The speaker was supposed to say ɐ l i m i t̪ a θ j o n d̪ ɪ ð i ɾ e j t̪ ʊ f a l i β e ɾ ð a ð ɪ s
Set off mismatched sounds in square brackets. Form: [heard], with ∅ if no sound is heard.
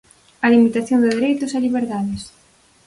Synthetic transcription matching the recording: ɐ l i m i t̪ a θ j o n d̪ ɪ ð [e] ɾ e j t̪ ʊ [s] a l i β e ɾ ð a ð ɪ s

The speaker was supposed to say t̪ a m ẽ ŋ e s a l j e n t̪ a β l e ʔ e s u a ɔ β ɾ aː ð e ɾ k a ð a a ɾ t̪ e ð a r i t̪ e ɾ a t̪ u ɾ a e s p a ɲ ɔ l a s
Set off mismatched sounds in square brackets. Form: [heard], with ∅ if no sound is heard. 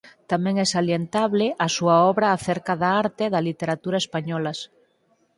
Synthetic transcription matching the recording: t̪ a m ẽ ŋ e s a l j e n t̪ a β l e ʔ [a] s u a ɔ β ɾ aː [θ] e ɾ k a ð a a ɾ t̪ e ð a [l] i t̪ e ɾ a t̪ u ɾ a e s p a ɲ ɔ l a s

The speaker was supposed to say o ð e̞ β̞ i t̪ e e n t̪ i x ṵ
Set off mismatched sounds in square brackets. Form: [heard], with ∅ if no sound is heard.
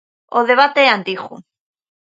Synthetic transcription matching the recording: o ð e̞ β̞ [a] t̪ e [a] n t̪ i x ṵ

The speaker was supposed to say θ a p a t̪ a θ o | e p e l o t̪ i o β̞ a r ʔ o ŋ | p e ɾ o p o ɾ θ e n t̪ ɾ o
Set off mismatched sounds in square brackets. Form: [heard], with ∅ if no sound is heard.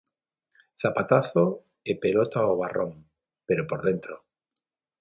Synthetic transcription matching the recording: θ a p a t̪ a θ o | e p e l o t̪ [a] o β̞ a r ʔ o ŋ | p e ɾ o p o ɾ [ð] e n t̪ ɾ o

